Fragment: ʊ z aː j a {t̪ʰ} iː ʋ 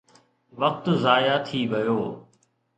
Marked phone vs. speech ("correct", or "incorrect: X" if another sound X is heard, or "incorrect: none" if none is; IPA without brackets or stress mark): correct